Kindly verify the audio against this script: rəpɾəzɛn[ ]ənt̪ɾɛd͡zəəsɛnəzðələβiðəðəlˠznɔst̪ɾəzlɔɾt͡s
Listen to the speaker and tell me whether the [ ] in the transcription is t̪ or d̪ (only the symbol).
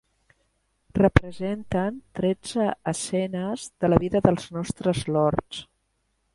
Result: t̪